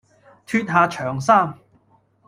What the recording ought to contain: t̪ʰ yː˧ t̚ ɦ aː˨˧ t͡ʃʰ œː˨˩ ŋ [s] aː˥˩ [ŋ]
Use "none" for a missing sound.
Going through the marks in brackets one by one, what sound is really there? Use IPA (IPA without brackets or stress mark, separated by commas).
s, m